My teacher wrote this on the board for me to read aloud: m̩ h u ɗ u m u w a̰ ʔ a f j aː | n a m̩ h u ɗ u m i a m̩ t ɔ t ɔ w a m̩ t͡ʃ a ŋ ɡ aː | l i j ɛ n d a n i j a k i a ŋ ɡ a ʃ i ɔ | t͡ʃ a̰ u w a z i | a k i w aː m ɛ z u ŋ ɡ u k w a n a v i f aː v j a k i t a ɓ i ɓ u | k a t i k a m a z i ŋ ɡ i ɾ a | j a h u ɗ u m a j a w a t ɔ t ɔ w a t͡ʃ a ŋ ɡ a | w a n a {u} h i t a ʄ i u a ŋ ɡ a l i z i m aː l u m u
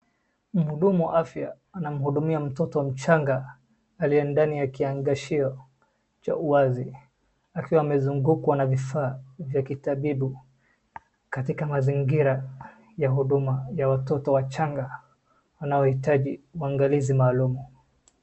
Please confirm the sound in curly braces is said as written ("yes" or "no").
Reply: no